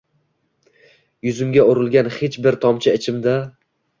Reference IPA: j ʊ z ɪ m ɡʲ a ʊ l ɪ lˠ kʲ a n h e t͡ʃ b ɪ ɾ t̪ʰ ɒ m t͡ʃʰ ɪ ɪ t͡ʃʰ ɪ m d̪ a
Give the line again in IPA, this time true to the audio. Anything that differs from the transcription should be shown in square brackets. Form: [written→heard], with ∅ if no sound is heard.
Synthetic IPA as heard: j ʊ z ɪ m ɡʲ a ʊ [l→ɾ] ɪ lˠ [kʲ→ɡʲ] a n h e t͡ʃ b ɪ ɾ t̪ʰ ɒ m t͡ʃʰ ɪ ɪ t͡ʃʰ ɪ m d̪ a